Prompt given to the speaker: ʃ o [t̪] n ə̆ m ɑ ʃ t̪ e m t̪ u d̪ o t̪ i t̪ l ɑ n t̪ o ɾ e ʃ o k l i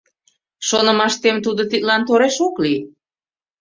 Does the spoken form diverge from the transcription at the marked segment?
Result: yes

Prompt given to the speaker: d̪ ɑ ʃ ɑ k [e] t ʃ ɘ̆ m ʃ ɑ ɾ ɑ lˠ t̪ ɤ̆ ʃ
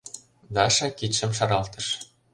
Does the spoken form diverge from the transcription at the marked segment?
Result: yes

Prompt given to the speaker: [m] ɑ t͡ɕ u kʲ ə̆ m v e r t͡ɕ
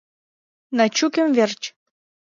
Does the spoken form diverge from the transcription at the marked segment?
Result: yes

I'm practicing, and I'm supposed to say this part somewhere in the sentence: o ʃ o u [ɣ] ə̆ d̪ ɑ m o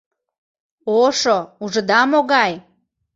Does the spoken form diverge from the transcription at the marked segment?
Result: yes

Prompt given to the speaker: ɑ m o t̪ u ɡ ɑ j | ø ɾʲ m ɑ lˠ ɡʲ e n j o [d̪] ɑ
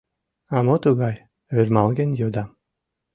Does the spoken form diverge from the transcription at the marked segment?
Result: no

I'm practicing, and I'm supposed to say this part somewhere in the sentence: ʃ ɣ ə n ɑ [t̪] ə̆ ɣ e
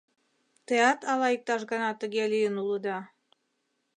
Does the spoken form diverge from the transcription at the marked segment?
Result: no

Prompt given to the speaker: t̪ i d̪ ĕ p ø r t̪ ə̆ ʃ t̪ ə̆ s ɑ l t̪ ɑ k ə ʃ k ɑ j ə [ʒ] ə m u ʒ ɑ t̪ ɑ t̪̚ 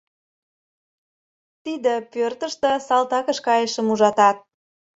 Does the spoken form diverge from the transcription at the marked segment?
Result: yes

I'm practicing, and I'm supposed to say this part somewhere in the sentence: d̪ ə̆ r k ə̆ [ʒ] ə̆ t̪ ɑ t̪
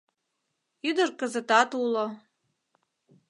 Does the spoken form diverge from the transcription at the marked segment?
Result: yes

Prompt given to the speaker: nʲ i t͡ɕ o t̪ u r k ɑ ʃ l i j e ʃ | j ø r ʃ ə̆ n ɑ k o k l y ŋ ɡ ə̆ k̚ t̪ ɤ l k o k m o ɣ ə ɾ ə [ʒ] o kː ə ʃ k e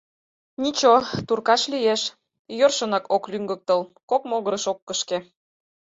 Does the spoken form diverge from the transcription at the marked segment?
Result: yes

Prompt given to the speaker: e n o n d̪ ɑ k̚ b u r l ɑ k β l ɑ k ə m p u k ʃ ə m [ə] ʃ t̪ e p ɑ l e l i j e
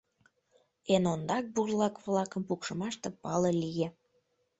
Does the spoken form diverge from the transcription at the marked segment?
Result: yes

